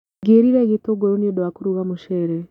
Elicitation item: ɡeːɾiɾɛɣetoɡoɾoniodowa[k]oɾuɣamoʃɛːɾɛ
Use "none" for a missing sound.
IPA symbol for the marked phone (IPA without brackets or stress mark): k